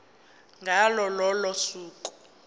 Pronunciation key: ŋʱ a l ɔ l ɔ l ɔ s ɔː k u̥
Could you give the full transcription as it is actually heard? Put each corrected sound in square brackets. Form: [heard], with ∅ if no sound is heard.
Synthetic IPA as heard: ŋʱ a l ɔ l ɔ l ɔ s [uː] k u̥